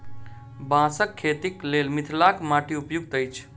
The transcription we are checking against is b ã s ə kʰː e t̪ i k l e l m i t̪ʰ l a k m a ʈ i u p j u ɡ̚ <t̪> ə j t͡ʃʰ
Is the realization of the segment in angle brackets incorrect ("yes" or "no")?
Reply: no